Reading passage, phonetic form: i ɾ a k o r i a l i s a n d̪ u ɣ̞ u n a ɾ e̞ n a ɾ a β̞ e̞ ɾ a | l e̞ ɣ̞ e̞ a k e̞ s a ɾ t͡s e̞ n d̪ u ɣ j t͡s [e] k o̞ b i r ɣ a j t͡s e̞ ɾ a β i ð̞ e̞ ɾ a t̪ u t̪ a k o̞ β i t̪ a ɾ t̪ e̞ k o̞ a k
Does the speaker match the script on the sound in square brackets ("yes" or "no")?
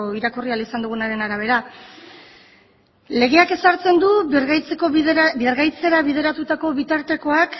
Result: yes